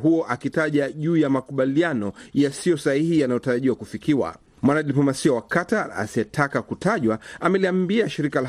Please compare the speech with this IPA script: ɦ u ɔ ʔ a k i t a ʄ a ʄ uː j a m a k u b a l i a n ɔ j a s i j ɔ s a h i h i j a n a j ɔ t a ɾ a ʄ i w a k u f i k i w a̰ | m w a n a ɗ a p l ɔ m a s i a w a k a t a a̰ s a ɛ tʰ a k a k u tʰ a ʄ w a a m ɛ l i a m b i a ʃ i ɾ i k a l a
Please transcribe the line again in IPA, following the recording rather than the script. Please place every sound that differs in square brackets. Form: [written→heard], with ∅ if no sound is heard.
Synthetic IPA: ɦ u ɔ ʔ a k i t a ʄ a ʄ uː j a m a k u [b→ɓ] a l i a n ɔ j a s i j ɔ s a h i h i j a n a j ɔ t a ɾ a ʄ i w a k u f i k i w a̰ | m w a n a ɗ [a→i] p l ɔ m a s i a w a k a t a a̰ s [a→i] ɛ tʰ a k a k u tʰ a ʄ w a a m ɛ l i a m b i a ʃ i ɾ i k a l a